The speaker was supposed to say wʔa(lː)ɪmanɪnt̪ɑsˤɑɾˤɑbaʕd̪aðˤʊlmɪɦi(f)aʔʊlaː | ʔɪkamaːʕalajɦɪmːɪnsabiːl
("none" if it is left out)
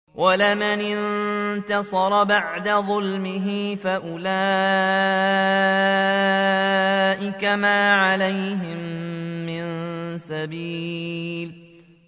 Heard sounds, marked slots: l, f

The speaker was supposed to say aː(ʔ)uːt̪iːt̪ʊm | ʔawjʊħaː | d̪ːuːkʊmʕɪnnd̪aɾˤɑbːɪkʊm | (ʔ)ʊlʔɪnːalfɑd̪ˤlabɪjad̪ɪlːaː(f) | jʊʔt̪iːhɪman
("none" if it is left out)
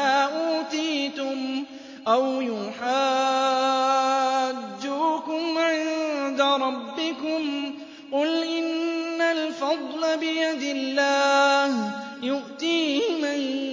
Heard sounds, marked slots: ʔ, q, h

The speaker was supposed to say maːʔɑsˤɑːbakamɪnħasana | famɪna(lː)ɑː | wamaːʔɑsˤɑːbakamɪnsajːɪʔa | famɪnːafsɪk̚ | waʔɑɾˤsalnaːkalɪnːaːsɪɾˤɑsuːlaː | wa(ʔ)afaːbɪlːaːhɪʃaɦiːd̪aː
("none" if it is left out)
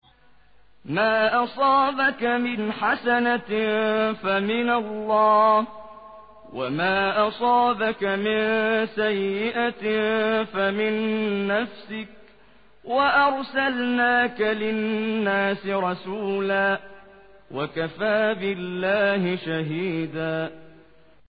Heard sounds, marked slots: lː, k

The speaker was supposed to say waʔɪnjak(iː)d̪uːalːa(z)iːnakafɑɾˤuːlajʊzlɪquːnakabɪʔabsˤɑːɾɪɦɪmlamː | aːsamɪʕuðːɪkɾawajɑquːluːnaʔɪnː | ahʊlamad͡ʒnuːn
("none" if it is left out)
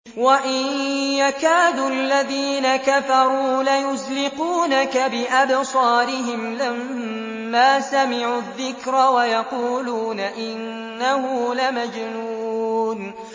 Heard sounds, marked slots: aː, ð

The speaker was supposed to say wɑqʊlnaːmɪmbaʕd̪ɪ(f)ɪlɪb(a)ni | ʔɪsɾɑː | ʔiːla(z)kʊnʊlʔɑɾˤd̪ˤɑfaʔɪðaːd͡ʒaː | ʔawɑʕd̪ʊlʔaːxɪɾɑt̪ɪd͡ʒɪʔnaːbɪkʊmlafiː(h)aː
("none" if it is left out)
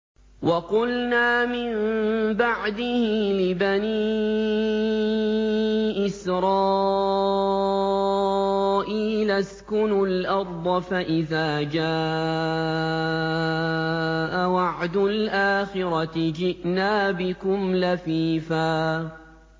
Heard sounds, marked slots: h, a, s, f

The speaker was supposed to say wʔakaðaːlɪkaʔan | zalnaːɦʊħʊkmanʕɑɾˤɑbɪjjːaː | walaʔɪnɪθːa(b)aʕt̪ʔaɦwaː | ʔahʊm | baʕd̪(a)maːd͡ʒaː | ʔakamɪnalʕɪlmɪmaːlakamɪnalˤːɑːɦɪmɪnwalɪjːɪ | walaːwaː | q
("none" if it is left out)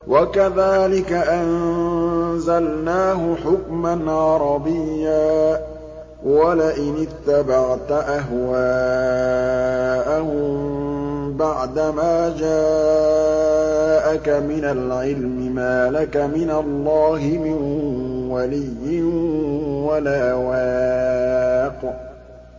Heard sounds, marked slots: b, a

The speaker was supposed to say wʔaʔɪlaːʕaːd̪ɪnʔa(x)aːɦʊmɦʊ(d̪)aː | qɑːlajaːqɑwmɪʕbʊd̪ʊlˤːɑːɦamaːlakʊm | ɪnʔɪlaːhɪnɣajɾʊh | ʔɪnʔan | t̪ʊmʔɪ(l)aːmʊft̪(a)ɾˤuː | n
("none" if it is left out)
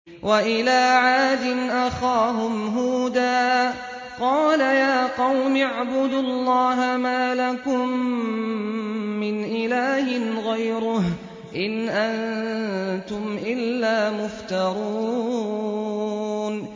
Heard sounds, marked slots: x, d̪, lː, ɑ

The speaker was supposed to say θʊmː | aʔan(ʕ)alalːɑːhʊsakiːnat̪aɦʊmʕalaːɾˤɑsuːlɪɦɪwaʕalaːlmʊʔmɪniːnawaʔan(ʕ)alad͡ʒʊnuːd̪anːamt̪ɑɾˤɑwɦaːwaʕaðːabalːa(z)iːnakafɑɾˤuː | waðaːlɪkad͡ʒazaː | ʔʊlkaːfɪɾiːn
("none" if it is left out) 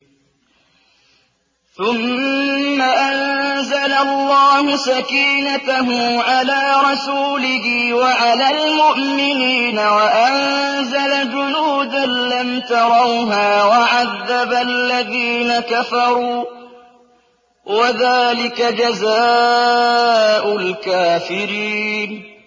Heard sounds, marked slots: z, z, ð

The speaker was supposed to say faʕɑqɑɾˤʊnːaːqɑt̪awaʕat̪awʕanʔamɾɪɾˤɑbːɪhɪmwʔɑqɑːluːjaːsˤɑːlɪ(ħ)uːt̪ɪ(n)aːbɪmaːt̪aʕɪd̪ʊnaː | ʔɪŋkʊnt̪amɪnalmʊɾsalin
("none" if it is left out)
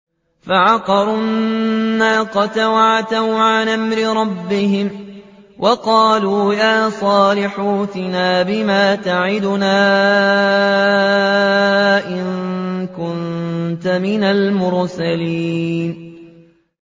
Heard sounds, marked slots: ħ, n

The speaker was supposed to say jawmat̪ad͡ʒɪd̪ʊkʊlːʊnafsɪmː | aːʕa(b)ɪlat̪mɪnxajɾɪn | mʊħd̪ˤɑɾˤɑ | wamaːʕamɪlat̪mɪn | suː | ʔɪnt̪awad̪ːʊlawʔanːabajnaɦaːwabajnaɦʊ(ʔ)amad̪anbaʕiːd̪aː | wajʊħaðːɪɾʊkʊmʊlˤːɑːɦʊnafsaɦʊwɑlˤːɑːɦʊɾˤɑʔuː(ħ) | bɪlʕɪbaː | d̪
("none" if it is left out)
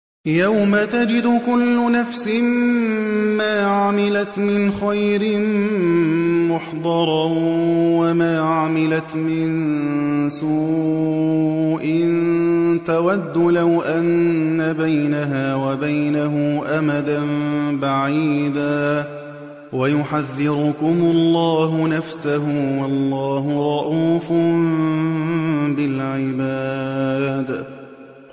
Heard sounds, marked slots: m, ʔ, f

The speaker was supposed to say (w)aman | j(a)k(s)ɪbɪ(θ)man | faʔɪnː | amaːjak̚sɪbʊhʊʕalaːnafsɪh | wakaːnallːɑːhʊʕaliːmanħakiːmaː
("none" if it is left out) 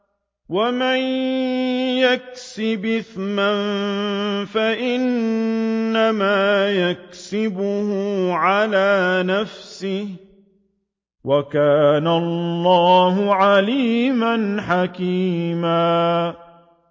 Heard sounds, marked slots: w, a, s, θ

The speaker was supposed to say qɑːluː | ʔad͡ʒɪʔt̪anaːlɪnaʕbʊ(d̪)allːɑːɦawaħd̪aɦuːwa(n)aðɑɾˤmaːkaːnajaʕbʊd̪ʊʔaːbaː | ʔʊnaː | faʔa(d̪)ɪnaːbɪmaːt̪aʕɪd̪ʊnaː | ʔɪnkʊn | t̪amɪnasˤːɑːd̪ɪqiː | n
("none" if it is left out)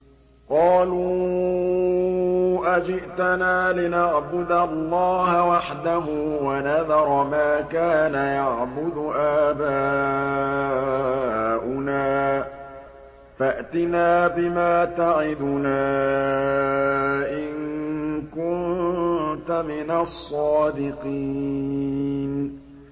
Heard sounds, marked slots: d̪, n, t̪

